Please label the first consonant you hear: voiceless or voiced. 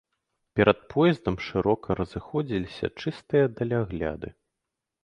voiceless